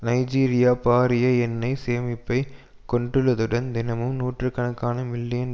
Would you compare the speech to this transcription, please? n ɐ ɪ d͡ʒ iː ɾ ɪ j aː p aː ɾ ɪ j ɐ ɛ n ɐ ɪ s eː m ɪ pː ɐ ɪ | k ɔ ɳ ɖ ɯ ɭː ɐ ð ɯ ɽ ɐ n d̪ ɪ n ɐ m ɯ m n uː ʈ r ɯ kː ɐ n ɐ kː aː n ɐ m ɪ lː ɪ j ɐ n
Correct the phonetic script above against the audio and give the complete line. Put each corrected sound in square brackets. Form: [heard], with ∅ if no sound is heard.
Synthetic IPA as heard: n ɐ ɪ d͡ʒ iː ɾ ɪ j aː p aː ɾ ɪ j ɐ ɛ [nː] ɐ ɪ s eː m ɪ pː ɐ ɪ | k ɔ ɳ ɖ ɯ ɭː ɐ ð ɯ ɽ ɐ n d̪ ɪ n ɐ m ɯ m n uː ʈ r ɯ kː ɐ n ɐ kː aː n ɐ m ɪ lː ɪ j ɐ n